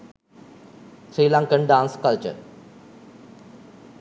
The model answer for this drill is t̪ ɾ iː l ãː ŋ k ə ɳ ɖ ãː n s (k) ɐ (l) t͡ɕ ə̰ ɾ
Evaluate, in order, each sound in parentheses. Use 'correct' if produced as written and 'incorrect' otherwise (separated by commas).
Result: correct, correct